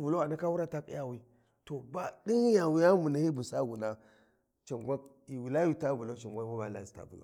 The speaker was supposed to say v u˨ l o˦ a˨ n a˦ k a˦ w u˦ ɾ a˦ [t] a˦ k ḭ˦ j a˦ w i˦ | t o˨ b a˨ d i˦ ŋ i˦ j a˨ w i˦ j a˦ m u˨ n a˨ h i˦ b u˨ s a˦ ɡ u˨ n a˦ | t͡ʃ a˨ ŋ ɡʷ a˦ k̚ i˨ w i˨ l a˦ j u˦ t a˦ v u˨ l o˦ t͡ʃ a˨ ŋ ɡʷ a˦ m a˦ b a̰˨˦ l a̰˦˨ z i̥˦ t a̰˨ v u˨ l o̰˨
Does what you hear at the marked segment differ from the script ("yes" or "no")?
no